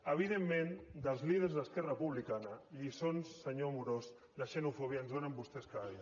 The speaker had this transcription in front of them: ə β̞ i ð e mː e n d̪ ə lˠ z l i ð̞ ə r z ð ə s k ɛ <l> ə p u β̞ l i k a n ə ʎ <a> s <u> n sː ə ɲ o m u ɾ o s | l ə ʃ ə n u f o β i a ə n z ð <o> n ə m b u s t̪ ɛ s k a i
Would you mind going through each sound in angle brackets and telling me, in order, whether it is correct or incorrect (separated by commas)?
incorrect, incorrect, incorrect, correct